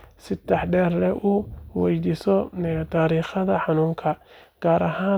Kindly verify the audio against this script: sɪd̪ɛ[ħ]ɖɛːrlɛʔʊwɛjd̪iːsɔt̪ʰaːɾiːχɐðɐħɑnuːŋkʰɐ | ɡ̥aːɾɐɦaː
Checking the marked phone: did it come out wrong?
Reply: no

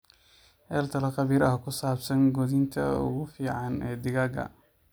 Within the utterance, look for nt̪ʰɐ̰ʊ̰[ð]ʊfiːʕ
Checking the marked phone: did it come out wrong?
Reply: yes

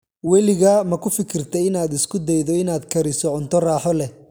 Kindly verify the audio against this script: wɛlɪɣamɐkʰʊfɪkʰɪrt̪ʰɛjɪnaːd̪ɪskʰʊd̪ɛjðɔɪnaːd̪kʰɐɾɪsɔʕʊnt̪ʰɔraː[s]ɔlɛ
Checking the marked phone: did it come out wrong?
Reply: yes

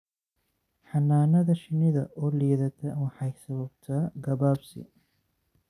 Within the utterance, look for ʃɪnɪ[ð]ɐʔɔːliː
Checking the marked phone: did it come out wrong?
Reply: no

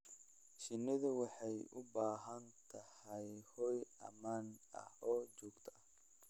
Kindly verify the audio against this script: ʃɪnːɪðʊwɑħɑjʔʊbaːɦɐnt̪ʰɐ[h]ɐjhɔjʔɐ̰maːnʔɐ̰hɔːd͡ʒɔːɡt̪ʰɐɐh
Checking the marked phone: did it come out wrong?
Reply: no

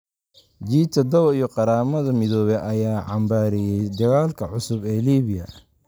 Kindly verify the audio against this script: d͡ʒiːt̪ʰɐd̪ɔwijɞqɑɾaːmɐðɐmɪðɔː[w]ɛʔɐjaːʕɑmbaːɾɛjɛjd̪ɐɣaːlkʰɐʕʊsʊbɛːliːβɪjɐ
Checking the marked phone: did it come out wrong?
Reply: yes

